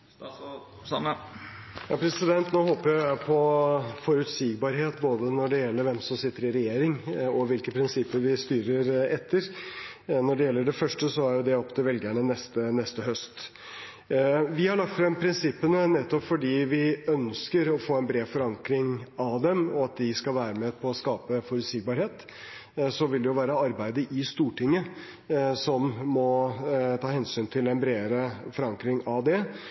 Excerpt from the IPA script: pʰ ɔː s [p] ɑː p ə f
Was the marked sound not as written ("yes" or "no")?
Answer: yes